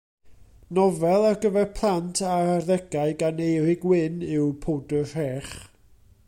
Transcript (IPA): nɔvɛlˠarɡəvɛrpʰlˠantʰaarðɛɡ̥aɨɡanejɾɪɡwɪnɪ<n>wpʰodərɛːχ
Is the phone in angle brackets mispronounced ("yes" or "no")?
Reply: yes